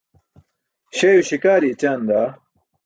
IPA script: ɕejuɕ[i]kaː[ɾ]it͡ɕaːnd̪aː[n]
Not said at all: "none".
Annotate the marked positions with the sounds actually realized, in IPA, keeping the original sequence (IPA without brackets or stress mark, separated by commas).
i, ɾ, none